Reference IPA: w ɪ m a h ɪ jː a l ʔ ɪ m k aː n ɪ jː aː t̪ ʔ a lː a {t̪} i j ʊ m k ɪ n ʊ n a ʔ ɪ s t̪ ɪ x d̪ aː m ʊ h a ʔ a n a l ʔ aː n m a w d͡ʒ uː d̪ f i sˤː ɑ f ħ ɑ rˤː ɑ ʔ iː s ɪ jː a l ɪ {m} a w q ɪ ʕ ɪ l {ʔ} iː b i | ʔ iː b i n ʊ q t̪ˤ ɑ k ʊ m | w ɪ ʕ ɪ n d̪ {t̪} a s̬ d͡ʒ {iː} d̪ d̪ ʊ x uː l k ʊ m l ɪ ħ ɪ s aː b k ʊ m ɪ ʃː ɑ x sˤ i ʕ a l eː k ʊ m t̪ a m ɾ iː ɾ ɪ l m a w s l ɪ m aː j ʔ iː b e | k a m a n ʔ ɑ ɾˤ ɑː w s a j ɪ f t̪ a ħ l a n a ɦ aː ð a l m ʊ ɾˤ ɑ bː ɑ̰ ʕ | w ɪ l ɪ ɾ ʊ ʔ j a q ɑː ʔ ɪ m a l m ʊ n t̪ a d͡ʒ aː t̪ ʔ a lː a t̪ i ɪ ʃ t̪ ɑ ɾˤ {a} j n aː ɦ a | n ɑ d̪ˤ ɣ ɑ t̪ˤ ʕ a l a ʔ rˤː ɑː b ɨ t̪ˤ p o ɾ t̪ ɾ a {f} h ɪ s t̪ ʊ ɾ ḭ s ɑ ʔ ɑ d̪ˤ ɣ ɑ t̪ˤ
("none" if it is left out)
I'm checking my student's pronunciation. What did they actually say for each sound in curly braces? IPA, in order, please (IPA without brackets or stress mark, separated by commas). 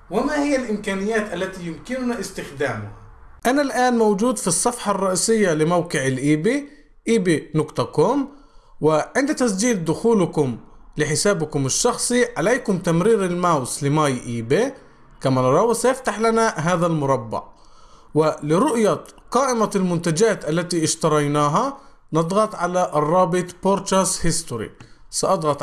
t̪, m, ʔ, t̪, iː, ɑ, s